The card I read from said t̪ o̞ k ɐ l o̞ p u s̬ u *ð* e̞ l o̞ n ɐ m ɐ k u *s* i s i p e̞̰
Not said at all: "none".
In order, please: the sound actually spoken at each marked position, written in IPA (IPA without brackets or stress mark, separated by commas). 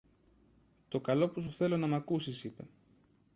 θ, s